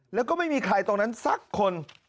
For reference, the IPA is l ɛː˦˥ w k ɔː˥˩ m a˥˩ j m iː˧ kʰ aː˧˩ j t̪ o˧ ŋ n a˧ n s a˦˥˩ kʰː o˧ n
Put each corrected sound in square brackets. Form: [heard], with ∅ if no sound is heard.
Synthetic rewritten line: l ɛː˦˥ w k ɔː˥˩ m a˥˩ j m iː˧ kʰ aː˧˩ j t̪ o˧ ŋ n [a˦˥] n s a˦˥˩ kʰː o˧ n